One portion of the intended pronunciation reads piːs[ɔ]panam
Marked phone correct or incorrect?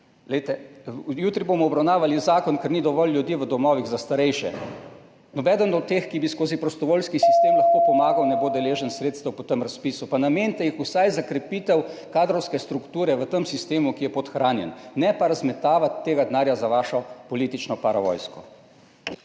incorrect